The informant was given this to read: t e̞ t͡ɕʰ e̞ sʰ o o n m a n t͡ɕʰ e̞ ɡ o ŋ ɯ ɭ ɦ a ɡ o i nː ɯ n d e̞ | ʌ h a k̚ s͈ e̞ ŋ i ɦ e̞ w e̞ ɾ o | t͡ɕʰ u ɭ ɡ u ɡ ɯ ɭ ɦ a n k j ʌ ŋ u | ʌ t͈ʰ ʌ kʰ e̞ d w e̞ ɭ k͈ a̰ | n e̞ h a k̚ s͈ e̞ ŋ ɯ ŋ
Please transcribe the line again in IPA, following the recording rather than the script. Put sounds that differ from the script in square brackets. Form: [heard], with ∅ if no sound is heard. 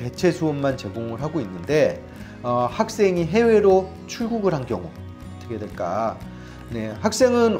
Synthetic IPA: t e̞ t͡ɕʰ e̞ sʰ o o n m a n [t͡ɕ] e̞ ɡ o ŋ ɯ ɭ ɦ a ɡ o i nː ɯ n d e̞ | ʌ h a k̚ s͈ e̞ ŋ i ɦ e̞ w e̞ ɾ o | t͡ɕʰ u ɭ ɡ u ɡ ɯ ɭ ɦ a n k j ʌ ŋ u | ʌ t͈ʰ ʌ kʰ e̞ d w e̞ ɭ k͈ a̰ | n e̞ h a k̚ s͈ e̞ ŋ ɯ [n]